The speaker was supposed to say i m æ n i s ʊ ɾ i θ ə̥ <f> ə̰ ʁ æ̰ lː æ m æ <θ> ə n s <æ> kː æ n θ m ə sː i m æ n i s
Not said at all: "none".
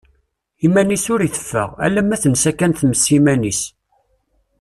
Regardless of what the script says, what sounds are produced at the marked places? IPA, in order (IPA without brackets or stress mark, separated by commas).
fː, θ, æ